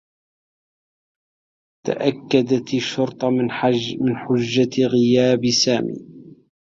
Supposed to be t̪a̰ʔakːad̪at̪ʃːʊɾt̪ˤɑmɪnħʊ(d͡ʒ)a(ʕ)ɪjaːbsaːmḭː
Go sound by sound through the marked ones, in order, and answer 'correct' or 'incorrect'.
incorrect, incorrect

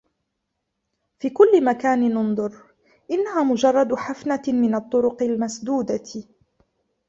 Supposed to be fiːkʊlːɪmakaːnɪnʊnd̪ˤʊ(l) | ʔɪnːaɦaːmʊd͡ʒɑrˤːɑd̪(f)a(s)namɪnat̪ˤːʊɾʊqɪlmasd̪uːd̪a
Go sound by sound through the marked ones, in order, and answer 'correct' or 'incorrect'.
incorrect, incorrect, incorrect

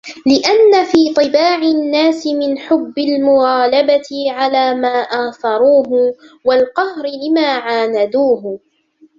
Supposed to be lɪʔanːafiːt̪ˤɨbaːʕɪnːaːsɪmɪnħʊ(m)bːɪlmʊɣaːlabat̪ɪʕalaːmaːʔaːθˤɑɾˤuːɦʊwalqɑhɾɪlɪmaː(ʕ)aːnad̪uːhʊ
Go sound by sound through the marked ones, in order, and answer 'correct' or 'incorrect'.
incorrect, correct

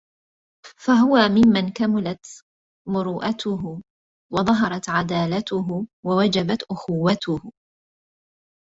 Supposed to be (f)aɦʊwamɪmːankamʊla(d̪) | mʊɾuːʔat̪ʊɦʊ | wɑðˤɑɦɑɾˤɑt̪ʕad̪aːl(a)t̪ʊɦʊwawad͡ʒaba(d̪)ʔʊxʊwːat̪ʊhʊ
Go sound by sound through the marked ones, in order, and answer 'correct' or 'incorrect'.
correct, incorrect, correct, incorrect

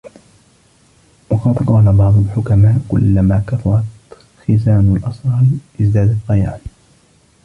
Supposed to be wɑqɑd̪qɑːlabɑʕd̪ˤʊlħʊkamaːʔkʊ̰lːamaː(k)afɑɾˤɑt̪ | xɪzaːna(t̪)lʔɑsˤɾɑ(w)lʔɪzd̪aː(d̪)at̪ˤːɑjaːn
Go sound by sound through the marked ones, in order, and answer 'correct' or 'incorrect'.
correct, incorrect, incorrect, correct

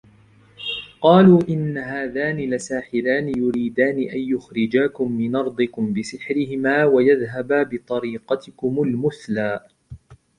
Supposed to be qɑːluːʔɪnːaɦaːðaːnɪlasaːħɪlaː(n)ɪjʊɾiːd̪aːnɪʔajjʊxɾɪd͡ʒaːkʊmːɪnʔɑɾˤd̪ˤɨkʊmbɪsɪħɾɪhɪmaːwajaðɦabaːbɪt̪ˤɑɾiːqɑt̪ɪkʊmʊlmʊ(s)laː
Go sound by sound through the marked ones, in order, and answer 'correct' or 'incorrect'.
correct, incorrect

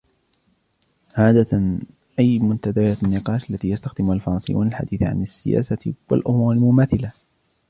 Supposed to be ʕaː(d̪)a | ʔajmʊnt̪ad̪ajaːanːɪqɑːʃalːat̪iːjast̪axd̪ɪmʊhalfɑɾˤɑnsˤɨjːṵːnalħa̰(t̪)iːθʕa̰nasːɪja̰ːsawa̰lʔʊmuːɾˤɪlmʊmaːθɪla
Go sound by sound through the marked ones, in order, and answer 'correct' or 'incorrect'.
correct, incorrect

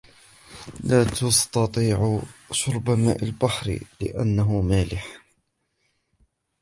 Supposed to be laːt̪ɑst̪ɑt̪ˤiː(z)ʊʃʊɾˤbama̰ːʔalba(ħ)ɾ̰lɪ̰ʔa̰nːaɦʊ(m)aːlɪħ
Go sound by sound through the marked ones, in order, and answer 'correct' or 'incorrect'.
incorrect, correct, correct

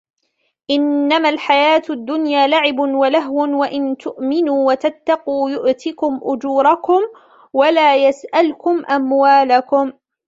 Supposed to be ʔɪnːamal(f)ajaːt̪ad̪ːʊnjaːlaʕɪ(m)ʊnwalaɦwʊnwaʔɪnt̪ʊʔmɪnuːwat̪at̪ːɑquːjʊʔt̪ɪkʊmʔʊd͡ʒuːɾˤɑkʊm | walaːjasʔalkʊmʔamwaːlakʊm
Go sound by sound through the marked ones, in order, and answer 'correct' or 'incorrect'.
incorrect, incorrect

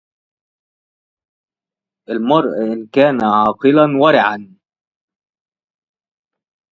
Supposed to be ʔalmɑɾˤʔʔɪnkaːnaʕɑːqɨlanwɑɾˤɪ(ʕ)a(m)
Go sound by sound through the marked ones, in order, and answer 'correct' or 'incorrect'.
correct, incorrect

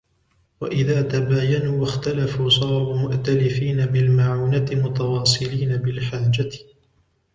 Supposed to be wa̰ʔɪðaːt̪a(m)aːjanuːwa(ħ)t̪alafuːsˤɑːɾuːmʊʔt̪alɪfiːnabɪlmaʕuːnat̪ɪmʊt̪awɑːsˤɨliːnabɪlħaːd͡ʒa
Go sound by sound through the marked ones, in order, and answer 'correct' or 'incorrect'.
incorrect, incorrect

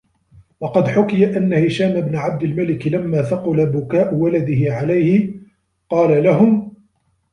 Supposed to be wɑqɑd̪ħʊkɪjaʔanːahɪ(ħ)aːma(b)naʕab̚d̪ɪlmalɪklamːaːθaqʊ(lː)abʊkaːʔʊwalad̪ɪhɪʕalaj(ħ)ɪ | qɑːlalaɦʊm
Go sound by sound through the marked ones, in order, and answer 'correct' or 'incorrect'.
incorrect, correct, incorrect, incorrect

